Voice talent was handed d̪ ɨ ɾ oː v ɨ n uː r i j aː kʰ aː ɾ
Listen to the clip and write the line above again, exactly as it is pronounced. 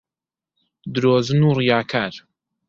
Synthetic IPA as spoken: d̪ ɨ ɾ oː z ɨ n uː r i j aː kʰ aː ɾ